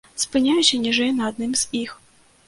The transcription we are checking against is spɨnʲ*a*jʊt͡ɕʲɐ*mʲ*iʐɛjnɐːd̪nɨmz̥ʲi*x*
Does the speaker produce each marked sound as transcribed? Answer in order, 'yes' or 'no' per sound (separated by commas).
yes, no, yes